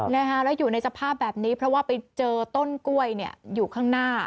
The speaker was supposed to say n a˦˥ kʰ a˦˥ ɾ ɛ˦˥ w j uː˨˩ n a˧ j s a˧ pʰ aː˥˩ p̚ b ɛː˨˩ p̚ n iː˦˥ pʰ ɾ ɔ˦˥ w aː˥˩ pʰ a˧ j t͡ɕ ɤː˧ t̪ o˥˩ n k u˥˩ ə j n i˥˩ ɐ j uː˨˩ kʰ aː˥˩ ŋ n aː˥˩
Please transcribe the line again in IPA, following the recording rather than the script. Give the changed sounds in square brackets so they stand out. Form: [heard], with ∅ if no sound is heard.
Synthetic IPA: n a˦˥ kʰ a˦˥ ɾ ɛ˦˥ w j uː˨˩ n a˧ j s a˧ pʰ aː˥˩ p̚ b ɛː˨˩ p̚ n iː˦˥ pʰ ɾ ɔ˦˥ w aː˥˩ [p] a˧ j t͡ɕ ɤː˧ t̪ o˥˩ n k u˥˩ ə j n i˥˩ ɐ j uː˨˩ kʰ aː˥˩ ŋ n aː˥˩